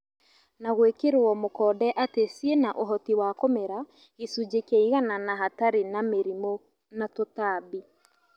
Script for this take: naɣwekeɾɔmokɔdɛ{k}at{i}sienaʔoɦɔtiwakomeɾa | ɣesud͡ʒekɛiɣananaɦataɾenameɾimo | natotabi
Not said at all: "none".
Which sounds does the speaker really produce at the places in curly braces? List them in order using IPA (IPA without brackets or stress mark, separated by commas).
ʔ, e